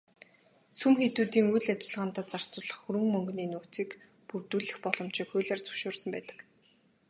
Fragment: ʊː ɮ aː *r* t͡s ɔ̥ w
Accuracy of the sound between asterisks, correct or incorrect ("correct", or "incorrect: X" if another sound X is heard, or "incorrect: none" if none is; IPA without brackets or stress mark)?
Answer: correct